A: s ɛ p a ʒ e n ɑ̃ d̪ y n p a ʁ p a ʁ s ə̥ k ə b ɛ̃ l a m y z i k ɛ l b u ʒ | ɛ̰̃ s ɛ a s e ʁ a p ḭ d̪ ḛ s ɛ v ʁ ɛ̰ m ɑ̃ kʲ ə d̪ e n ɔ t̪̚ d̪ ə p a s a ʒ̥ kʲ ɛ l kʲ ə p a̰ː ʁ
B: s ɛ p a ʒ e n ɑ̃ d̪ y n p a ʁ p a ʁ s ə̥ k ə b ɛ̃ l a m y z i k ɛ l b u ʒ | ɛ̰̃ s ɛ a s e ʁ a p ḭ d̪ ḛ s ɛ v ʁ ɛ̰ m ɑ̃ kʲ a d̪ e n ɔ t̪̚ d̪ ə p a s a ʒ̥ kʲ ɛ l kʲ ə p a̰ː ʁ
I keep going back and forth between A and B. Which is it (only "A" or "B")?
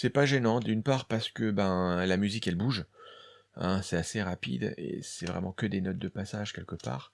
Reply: A